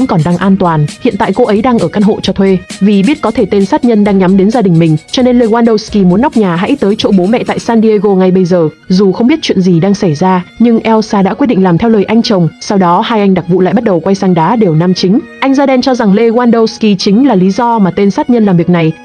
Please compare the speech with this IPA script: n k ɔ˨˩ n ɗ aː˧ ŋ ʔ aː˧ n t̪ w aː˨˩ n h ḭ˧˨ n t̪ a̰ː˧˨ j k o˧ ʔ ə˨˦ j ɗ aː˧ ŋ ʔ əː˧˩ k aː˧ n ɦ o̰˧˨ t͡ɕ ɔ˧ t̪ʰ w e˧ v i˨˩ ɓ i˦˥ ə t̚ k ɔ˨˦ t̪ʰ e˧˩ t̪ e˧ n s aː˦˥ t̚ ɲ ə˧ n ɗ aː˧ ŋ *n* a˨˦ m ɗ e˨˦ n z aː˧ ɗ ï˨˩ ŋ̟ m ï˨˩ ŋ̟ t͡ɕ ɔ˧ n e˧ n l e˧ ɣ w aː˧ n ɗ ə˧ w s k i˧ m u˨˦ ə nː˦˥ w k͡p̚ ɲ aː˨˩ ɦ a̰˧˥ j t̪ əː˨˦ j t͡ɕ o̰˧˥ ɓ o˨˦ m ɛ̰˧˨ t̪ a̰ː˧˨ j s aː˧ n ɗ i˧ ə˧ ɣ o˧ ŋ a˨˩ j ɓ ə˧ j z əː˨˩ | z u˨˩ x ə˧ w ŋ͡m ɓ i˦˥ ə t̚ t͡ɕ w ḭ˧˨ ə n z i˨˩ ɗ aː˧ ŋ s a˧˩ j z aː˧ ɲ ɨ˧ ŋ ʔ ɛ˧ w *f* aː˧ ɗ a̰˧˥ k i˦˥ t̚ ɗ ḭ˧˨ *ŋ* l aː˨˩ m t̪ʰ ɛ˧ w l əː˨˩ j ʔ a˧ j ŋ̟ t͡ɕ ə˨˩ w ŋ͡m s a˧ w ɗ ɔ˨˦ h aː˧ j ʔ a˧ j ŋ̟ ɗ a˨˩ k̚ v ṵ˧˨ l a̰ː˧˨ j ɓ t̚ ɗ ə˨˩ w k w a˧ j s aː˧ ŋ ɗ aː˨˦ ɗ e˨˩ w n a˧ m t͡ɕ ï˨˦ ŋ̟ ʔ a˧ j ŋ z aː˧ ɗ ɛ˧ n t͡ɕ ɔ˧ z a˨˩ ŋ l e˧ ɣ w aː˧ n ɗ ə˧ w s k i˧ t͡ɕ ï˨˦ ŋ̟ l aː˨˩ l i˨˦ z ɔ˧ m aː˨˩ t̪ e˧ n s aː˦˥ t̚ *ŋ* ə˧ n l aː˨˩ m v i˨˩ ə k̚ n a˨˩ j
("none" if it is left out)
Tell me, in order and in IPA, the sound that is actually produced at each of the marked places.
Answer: ɲ, s, ŋ, ɲ

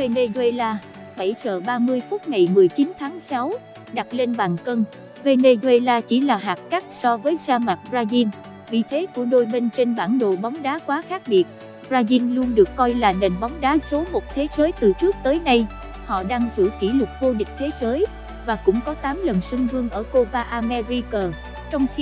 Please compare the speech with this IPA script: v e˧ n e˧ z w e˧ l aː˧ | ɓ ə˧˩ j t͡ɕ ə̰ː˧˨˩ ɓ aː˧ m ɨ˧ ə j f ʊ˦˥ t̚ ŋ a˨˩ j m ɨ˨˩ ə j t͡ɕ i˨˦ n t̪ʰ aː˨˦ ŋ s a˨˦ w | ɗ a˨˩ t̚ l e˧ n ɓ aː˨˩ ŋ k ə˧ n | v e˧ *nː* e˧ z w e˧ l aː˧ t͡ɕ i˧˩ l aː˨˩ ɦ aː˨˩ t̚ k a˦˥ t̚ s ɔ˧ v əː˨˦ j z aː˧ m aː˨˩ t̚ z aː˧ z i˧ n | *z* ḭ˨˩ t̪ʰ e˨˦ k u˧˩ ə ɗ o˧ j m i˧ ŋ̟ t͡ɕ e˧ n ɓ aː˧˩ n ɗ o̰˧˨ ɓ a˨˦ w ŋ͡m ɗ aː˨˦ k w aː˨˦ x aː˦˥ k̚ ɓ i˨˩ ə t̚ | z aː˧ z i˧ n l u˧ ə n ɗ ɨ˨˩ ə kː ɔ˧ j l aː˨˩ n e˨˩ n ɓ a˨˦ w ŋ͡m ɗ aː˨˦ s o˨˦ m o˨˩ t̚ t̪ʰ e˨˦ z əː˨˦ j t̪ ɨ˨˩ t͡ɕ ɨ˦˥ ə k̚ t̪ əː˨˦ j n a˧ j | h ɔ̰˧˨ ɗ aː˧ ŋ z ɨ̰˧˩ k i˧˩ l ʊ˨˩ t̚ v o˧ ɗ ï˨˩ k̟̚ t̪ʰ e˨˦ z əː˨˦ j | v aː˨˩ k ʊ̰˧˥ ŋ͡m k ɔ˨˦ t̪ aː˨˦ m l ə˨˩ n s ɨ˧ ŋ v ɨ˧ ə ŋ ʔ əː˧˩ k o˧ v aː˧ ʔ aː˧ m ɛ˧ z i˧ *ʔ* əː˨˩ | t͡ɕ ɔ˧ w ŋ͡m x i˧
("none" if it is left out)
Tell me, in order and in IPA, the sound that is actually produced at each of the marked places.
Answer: n, v, k

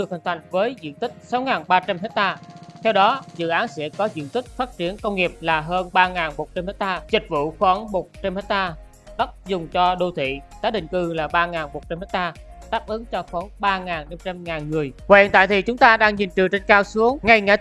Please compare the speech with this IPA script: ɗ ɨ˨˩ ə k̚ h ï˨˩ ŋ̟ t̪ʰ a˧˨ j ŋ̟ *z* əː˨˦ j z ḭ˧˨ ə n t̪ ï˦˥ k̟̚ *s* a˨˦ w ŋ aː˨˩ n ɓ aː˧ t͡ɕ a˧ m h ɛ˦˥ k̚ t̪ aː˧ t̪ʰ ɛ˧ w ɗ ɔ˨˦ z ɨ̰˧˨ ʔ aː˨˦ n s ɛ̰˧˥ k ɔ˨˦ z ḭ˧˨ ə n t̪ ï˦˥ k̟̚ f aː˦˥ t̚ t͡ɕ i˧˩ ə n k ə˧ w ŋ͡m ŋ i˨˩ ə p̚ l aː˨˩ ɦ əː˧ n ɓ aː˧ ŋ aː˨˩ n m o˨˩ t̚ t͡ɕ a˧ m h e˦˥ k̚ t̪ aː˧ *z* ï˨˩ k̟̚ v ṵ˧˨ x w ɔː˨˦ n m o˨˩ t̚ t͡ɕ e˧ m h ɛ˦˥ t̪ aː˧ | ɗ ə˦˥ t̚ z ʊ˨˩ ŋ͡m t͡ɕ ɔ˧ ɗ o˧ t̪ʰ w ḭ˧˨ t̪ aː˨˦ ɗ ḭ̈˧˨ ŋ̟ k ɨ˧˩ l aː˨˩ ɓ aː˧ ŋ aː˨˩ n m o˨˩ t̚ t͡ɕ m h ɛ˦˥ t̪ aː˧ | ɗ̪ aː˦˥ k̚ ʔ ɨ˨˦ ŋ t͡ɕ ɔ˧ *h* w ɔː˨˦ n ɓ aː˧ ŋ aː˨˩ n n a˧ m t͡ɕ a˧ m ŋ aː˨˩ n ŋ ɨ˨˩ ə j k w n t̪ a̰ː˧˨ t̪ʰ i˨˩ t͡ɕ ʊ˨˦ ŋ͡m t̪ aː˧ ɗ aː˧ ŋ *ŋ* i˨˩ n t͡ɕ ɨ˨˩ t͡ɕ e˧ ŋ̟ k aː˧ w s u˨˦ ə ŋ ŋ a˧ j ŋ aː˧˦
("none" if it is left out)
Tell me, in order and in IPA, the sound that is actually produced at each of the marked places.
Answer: v, s, z, x, ɲ

